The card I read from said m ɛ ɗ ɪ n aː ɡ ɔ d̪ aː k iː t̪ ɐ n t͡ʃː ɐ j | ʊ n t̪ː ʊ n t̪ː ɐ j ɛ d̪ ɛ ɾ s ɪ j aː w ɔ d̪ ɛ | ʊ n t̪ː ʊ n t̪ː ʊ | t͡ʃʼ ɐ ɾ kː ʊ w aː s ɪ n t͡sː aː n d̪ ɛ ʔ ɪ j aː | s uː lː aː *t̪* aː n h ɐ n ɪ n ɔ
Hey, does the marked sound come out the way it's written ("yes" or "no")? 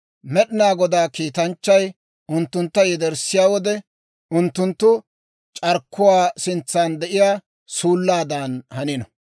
no